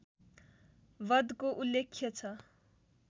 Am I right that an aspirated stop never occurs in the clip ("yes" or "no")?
no